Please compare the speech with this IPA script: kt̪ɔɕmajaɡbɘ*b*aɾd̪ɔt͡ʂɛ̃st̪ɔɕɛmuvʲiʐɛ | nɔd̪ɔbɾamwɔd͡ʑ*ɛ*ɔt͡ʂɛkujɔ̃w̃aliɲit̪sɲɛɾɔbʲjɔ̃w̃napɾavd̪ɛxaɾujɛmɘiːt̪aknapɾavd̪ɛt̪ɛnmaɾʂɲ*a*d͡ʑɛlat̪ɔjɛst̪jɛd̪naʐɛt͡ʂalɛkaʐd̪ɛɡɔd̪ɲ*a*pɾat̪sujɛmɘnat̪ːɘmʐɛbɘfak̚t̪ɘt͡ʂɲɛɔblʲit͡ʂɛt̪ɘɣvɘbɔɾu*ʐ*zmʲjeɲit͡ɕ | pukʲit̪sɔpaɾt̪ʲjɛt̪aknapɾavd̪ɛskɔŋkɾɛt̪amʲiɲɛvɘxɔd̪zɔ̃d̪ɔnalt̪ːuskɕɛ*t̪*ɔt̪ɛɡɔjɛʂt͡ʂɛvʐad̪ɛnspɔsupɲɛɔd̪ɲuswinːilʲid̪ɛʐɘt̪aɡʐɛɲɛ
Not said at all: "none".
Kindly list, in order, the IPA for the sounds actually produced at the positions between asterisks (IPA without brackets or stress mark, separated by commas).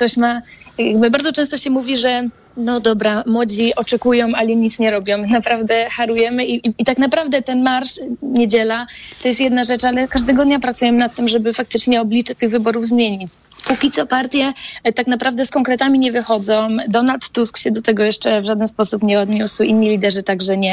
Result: b, i, e, a, v, d̪